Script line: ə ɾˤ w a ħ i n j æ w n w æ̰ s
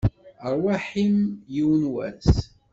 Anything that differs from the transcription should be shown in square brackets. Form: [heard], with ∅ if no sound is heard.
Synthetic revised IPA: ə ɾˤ w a ħ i [m] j [i] w n w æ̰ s